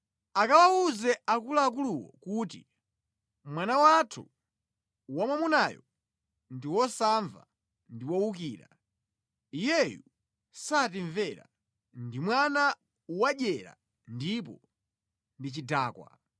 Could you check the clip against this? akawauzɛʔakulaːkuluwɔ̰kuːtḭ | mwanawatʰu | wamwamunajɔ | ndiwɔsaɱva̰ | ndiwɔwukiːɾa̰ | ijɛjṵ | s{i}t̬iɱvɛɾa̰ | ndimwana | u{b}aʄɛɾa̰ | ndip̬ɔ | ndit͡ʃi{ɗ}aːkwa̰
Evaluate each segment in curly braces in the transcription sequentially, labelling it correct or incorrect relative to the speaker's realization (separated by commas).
incorrect, incorrect, incorrect